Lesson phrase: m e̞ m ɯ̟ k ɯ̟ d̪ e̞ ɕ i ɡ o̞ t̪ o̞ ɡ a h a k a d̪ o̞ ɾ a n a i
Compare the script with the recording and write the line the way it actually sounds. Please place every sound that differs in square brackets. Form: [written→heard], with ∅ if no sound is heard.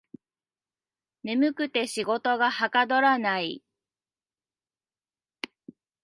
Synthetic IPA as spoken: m e̞ m ɯ̟ k ɯ̟ [d̪→t̪] e̞ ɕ i ɡ o̞ t̪ o̞ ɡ a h a k a d̪ o̞ ɾ a n a i